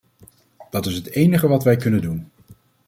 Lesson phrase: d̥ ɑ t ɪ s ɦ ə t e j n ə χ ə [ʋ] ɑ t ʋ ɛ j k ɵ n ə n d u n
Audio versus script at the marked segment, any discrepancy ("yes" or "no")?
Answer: no